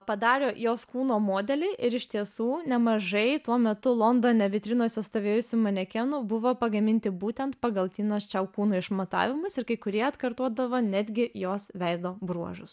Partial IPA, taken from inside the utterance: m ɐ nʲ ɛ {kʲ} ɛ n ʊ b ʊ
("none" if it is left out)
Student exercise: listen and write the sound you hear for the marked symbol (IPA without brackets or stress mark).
kʲ